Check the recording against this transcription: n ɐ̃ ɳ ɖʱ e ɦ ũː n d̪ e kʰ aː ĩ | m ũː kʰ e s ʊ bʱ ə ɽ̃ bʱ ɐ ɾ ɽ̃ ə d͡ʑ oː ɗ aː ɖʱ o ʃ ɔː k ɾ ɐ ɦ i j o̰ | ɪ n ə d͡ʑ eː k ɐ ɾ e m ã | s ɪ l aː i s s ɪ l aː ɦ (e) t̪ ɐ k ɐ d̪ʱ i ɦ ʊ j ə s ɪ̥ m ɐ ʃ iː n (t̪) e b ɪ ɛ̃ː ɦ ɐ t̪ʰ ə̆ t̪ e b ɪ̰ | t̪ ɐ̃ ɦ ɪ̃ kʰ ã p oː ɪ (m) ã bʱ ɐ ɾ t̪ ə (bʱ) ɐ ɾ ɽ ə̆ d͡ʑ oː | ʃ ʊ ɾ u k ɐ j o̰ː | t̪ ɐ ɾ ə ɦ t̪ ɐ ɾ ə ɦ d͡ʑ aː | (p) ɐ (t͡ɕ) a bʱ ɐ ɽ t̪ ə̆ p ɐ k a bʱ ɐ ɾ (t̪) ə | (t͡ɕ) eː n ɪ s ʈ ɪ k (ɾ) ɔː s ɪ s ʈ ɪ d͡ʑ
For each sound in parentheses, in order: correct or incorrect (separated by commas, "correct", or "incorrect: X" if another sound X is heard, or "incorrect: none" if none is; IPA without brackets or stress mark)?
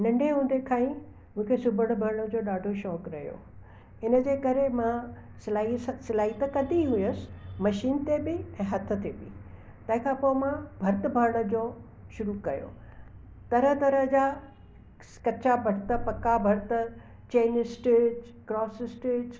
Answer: incorrect: i, correct, correct, correct, incorrect: k, correct, correct, correct, correct